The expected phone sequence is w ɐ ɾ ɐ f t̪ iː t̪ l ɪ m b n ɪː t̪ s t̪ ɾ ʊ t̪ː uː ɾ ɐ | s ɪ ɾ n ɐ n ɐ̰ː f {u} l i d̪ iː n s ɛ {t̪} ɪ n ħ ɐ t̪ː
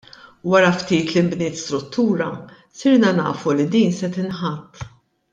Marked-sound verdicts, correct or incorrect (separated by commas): correct, correct